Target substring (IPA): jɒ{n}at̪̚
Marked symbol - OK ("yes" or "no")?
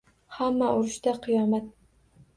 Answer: no